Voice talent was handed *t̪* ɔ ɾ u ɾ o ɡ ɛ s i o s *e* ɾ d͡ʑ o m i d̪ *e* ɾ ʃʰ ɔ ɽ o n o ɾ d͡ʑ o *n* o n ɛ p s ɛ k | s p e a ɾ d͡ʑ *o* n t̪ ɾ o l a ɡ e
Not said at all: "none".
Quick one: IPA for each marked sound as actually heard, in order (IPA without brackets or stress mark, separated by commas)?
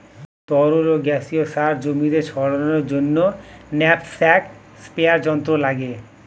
t̪, a, e, nː, ɔ